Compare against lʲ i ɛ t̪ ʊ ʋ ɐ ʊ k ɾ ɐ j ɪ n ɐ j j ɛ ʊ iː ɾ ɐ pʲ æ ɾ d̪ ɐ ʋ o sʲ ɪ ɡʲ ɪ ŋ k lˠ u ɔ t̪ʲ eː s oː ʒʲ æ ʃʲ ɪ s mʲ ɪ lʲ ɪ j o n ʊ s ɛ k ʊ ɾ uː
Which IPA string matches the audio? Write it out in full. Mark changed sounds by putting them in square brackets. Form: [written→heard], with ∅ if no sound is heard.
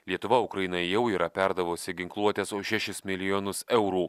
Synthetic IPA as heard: lʲ i ɛ t̪ ʊ ʋ ɐ ʊ k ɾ ɐ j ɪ n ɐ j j ɛ ʊ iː ɾ ɐ pʲ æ ɾ d̪ ɐ ʋ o sʲ ɪ ɡʲ ɪ ŋ k lˠ u ɔ t̪ʲ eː s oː [ʒʲ→ʃʲ] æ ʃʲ ɪ s mʲ ɪ lʲ ɪ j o n ʊ s ɛ [k→∅] ʊ ɾ uː